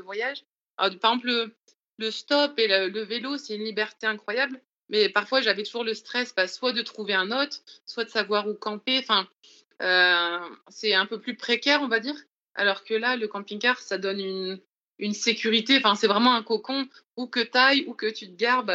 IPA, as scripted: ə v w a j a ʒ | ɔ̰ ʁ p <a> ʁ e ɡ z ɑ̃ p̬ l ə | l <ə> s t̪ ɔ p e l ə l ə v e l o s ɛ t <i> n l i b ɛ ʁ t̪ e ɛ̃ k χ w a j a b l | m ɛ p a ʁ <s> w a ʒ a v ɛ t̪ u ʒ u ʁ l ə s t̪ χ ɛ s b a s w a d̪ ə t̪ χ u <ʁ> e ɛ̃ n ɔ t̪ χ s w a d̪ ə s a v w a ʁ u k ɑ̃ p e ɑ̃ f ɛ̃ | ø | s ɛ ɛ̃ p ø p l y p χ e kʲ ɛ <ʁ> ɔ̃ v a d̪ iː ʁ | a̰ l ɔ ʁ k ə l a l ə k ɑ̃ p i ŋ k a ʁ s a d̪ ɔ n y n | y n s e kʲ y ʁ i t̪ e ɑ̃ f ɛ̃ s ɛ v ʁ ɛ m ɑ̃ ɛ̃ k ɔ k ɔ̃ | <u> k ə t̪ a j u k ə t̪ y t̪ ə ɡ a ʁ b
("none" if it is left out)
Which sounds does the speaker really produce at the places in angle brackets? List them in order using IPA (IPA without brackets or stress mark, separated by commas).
a, ə, y, f, v, ʁ, u